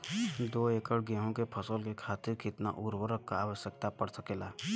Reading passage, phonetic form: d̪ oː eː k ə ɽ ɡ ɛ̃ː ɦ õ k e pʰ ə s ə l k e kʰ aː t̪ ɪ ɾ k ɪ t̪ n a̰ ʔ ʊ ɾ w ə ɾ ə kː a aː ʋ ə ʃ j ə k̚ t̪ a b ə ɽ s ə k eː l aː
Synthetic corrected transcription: d̪ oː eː k ə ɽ ɡ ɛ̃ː ɦ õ k e pʰ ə s ə l k e kʰ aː t̪ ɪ ɾ k ɪ t̪ n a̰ ʔ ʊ ɾ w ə ɾ ə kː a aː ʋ ə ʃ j ə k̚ t̪ a p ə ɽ s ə k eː l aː